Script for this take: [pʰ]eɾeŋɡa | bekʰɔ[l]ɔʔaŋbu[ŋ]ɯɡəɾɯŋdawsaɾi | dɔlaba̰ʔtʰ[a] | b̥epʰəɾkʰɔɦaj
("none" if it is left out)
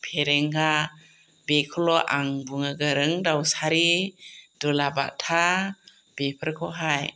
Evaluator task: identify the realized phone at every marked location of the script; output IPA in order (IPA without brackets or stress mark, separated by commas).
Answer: pʰ, l, ŋ, a